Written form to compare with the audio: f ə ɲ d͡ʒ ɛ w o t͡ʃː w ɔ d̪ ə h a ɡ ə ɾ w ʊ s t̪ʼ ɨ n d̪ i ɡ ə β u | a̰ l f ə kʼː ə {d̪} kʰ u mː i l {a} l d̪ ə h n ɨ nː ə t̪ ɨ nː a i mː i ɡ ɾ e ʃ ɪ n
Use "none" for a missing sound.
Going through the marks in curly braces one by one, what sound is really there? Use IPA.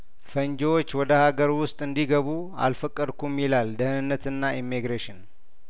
d̪, a

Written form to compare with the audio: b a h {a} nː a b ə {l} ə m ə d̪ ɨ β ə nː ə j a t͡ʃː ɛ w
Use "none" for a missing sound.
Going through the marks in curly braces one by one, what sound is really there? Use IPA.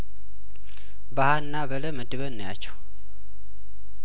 a, l

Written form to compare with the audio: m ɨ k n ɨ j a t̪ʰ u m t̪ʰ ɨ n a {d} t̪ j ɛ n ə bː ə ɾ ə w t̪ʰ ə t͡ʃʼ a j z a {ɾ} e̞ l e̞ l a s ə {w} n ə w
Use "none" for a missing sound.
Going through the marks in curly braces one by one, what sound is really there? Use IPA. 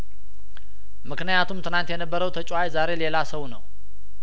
n, ɾ, w

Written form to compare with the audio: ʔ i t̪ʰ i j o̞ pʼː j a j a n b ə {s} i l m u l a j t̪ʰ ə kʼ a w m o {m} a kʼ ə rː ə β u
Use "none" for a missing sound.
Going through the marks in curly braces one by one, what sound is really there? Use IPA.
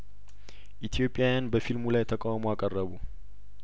f, none

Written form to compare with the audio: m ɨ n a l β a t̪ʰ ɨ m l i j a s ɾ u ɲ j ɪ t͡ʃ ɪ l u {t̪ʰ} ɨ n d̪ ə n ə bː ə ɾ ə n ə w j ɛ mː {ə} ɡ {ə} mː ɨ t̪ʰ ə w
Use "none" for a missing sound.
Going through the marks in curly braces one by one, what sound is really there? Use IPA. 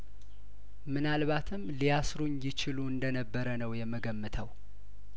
none, ə, ə

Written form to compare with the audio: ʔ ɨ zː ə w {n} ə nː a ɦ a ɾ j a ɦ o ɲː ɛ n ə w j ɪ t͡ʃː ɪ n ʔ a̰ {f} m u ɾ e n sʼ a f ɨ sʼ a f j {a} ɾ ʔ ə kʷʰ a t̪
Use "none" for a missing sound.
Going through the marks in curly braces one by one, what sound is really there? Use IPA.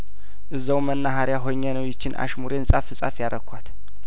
m, ʃ, a

